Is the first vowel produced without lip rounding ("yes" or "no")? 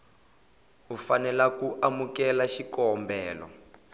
no